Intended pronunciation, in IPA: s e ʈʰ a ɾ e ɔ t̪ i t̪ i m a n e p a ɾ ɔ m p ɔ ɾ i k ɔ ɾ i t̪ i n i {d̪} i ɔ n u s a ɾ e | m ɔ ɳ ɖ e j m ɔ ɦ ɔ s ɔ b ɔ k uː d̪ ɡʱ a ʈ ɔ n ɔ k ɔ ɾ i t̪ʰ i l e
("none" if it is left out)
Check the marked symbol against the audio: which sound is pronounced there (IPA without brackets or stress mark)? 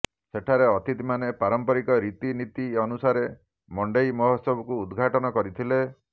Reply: t̪